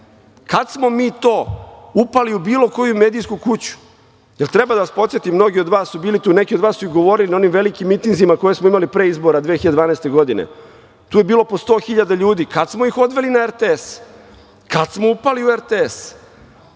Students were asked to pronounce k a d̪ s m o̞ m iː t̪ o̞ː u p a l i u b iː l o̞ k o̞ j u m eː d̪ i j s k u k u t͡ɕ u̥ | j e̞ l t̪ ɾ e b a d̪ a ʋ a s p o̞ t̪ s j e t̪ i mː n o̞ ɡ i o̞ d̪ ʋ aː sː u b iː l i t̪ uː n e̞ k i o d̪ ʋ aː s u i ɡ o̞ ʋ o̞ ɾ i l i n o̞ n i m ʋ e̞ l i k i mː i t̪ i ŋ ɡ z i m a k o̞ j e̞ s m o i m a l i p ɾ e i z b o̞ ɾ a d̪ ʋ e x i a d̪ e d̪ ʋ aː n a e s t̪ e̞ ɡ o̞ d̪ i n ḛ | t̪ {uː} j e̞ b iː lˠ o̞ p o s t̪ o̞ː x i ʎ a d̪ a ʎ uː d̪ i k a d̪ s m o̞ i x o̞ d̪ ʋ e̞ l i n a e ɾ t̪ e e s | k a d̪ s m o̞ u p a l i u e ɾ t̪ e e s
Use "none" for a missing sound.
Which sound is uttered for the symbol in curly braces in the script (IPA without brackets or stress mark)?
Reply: uː